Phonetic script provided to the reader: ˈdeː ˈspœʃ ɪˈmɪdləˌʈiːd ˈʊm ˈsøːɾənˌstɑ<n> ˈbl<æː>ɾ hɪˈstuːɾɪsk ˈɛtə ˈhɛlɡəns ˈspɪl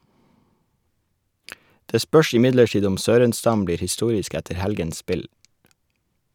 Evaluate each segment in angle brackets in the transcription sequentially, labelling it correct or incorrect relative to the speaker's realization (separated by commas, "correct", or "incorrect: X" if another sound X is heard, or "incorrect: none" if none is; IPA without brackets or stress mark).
incorrect: m, incorrect: iː